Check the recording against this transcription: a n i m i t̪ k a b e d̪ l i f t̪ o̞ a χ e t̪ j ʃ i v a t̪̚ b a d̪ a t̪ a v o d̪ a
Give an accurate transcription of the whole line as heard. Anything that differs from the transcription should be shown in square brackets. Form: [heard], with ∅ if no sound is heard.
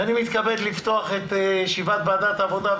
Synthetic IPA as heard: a n i m i t̪ k a b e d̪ l i f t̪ o̞ a χ e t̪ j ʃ i v a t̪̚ b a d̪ a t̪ a v o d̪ a